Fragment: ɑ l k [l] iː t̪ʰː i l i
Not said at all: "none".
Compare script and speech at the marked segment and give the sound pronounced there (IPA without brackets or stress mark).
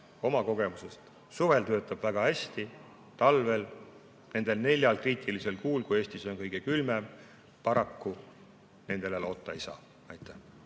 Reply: r